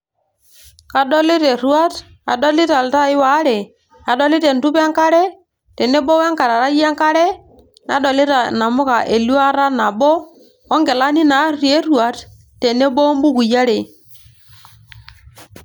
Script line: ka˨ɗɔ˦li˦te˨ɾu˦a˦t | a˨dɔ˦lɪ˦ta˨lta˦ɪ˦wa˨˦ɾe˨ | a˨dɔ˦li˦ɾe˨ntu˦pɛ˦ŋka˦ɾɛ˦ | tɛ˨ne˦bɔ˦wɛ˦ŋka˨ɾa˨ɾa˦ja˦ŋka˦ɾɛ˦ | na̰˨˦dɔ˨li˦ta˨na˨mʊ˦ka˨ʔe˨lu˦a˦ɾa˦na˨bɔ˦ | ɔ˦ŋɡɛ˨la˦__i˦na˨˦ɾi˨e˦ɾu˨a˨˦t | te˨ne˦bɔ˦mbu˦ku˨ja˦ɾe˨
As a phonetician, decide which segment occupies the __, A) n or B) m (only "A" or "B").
A